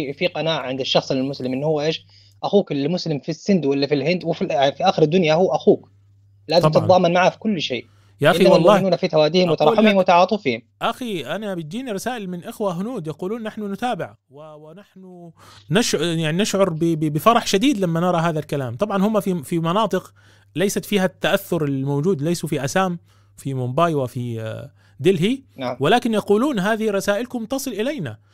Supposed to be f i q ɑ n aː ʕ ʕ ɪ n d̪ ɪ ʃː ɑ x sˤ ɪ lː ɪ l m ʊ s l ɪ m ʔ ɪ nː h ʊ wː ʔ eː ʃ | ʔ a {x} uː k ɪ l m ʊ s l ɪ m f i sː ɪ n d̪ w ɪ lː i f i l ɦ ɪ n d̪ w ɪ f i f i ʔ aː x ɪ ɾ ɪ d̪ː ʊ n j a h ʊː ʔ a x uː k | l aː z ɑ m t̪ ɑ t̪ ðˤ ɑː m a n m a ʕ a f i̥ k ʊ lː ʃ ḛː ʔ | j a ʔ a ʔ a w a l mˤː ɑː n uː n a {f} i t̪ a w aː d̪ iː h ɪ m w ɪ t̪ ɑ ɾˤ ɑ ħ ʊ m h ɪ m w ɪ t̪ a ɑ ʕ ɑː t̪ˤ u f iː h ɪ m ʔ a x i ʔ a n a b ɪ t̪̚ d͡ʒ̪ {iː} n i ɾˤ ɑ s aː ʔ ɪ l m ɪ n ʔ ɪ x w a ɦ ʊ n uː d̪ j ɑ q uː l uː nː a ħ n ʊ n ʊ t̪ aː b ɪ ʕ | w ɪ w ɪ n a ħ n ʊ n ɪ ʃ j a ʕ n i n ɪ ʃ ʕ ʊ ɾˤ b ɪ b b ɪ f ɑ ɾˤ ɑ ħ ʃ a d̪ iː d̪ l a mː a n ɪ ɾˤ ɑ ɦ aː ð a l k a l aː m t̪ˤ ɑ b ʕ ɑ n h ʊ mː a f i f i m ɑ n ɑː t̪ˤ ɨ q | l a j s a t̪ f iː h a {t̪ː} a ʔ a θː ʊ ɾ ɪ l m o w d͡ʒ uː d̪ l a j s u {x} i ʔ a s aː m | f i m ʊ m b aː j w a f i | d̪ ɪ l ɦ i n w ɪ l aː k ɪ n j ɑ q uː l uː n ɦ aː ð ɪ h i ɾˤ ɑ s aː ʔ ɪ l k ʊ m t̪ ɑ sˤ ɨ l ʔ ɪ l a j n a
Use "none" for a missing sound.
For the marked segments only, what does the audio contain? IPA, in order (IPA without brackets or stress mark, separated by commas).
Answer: x, f, iː, t̪ː, f